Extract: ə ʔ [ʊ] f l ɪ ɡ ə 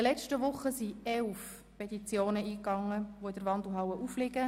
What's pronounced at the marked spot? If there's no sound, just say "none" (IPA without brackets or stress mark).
u